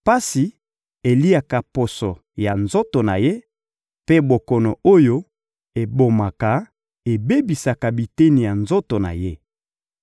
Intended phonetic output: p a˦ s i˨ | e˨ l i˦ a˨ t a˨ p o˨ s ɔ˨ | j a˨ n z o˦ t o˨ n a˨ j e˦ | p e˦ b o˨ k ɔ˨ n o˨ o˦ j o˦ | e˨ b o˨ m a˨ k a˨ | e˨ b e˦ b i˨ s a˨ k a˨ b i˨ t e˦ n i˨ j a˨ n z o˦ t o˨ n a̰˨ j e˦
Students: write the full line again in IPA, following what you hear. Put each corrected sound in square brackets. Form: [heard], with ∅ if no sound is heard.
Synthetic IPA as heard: p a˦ s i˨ | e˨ l i˦ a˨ [k] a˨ p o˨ s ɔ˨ | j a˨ n z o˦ t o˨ n a˨ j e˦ | p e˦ b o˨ k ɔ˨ n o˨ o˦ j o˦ | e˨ b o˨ m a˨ k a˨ | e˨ b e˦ b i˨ s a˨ k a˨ b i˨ t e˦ n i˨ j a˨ n z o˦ t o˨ n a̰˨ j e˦